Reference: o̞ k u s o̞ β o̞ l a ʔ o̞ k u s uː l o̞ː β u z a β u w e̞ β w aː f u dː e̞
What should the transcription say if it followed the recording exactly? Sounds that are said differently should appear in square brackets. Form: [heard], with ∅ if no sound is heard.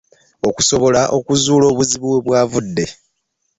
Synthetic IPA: o̞ k u s o̞ β o̞ l a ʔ o̞ k u [z] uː l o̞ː β u z [i] β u w e̞ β w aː [v] u dː e̞